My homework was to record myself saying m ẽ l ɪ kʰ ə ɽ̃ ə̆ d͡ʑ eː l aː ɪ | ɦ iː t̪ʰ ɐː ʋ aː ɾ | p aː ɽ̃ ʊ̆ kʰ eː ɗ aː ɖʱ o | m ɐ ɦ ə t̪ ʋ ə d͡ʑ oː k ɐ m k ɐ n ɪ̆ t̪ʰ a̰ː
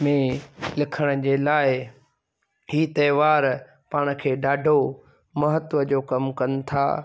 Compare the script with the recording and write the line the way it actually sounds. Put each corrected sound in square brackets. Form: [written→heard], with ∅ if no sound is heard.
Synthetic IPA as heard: m ẽ l ɪ kʰ ə ɽ̃ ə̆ d͡ʑ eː l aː ɪ | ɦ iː [t̪ʰ→t̪] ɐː ʋ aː ɾ | p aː ɽ̃ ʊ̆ kʰ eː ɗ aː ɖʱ o | m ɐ ɦ ə t̪ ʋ ə d͡ʑ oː k ɐ m k ɐ n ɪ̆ t̪ʰ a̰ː